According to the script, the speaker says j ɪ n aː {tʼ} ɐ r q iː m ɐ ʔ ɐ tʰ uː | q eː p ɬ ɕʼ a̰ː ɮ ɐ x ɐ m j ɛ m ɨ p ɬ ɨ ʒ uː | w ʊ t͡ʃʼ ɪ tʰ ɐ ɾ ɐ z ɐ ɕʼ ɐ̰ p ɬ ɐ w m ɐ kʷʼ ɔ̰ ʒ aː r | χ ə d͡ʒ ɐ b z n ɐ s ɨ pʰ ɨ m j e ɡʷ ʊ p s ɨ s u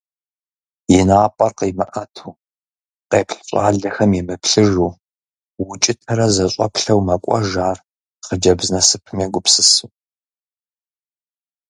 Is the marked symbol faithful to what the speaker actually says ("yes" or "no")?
no